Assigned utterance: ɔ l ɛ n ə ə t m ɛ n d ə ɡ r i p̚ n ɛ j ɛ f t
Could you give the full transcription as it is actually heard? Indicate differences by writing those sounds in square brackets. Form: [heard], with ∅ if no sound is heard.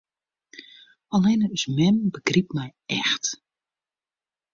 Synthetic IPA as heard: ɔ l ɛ n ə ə [s] m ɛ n [b] ə ɡ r i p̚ [m] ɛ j ɛ [x] t